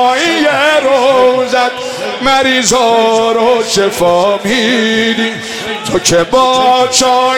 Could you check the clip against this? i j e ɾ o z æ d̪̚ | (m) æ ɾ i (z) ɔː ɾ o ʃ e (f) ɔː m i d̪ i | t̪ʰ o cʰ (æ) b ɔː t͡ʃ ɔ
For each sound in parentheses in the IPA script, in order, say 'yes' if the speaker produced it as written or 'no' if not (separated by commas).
yes, yes, yes, no